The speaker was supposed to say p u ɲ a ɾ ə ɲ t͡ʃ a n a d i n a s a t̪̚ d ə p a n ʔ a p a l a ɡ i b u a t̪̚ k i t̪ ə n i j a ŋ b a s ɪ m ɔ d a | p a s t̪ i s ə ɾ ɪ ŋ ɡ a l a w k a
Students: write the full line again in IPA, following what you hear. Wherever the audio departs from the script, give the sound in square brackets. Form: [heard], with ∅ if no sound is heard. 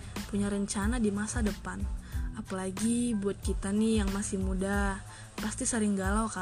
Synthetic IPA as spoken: p u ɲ a ɾ ə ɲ t͡ʃ a n a d i [m] a s a [∅] d ə p a n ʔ a p a l a ɡ i b u a t̪̚ k i t̪ [a] n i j a ŋ [m] a s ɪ m [u] d a | p a s t̪ i s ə ɾ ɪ ŋ ɡ a l a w k a